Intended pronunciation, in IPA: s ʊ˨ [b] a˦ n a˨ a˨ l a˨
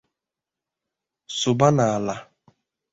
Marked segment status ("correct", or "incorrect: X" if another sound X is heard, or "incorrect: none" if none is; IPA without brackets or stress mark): correct